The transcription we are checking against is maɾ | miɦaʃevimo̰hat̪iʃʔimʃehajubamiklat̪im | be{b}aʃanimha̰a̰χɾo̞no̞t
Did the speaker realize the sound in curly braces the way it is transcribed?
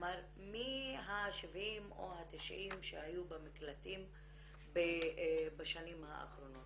yes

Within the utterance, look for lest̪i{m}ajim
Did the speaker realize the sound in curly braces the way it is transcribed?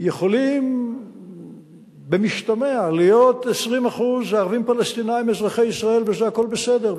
no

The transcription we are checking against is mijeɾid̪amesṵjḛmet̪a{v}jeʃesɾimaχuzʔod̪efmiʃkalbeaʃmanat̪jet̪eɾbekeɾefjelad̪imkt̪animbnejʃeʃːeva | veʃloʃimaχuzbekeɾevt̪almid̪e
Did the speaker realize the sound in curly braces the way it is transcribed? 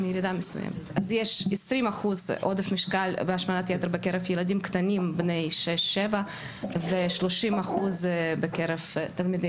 no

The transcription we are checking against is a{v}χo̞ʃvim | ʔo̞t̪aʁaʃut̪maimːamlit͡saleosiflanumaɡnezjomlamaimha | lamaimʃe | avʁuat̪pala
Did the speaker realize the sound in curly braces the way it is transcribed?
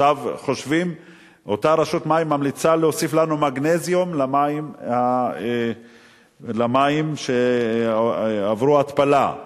yes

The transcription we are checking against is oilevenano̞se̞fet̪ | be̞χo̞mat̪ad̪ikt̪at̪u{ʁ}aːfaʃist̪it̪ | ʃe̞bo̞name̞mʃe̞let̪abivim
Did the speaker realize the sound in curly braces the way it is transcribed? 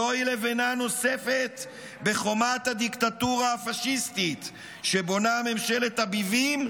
yes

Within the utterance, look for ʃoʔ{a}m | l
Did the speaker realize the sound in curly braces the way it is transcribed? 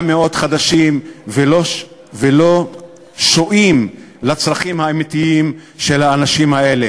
no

